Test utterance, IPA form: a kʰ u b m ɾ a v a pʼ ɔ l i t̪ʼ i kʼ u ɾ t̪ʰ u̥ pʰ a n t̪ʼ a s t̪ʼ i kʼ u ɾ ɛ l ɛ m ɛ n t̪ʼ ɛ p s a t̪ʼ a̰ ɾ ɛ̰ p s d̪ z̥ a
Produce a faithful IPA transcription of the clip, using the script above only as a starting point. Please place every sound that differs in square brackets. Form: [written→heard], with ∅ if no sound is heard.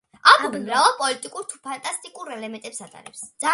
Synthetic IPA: a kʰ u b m ɾ a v a pʼ ɔ l i t̪ʼ i kʼ u ɾ t̪ʰ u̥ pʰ a n t̪ʼ a s t̪ʼ i kʼ u ɾ ɛ l ɛ m ɛ n t̪ʼ ɛ p s a t̪ʼ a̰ ɾ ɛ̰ p s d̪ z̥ a